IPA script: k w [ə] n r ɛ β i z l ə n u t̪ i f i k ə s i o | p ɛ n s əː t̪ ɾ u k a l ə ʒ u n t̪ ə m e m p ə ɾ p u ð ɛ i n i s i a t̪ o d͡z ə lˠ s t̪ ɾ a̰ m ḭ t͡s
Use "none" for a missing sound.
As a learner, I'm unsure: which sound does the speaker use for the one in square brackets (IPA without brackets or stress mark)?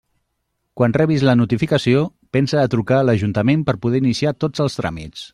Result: a